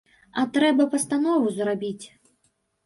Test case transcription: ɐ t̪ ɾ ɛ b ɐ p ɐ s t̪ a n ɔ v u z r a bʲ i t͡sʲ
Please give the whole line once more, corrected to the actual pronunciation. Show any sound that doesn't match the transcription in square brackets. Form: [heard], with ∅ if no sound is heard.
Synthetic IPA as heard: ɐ t̪ ɾ ɛ b ɐ p ɐ s t̪ a n ɔ v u z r a bʲ i t͡sʲ